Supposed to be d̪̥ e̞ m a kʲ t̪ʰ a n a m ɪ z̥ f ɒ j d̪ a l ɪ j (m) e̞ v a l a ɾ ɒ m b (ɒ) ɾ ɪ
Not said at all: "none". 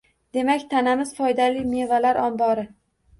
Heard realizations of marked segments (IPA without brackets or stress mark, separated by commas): m, ɒ